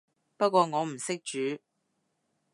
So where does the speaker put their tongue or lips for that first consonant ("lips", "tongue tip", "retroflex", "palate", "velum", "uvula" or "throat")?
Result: lips